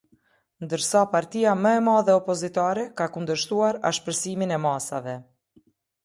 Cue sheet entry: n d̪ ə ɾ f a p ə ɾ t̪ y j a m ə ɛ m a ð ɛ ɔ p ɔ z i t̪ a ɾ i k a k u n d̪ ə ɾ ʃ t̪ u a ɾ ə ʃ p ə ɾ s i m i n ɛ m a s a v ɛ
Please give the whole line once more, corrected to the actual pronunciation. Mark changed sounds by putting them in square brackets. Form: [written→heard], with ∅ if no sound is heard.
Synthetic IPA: n d̪ ə ɾ [f→s] a p [ə→a] ɾ t̪ [y→i] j a m ə ɛ m a ð ɛ ɔ p ɔ z i t̪ a ɾ [i→ɛ] k a k u n d̪ ə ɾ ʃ t̪ u a ɾ [ə→a] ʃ p ə ɾ s i m i n ɛ m a s a v ɛ